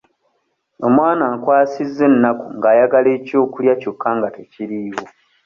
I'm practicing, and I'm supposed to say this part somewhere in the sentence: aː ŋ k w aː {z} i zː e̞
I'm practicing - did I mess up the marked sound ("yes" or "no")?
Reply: yes